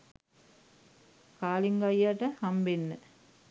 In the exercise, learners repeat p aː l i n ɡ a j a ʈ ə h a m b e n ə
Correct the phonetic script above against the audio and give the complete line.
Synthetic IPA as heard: k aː l i ŋ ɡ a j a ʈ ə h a m b e nː ə